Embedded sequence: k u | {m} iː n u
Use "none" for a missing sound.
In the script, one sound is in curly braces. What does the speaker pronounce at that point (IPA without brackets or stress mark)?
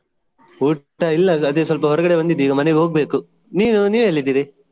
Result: n